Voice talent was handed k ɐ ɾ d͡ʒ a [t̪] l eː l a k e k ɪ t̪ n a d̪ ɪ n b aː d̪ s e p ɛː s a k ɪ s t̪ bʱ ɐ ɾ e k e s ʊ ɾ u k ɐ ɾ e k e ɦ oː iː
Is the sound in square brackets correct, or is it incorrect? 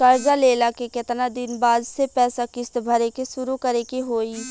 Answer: incorrect: none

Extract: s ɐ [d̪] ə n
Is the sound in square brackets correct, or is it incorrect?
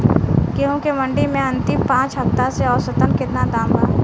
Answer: incorrect: t̪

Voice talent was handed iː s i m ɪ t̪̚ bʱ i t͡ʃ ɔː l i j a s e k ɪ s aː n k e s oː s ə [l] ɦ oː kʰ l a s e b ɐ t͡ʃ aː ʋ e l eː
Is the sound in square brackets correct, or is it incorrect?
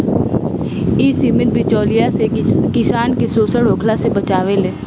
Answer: incorrect: ɽ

